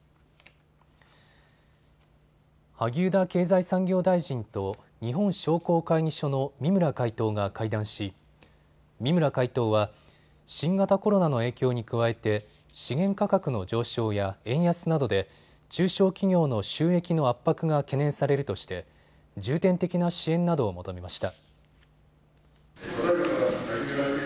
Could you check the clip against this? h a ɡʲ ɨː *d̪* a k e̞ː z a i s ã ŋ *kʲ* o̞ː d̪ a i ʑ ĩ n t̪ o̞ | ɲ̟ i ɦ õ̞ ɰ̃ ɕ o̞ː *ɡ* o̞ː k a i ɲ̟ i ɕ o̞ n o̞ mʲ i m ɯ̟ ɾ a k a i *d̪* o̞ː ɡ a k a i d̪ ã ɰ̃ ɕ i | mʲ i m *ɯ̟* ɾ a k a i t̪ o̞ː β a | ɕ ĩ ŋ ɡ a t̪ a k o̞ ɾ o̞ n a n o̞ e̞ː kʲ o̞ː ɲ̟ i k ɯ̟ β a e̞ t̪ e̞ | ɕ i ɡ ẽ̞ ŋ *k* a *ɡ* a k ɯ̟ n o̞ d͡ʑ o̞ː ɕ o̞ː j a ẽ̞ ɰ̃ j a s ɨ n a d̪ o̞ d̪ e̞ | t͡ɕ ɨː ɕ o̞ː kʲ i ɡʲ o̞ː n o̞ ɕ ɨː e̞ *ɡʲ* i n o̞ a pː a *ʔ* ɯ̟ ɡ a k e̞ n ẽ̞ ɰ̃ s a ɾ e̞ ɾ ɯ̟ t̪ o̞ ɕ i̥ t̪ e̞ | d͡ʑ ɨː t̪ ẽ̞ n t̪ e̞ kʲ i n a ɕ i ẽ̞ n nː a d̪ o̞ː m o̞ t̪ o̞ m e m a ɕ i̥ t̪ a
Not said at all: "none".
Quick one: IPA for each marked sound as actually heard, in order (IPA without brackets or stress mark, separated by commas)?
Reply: d̪, ɡʲ, k, t̪, ɯ̟, k, k, kʲ, k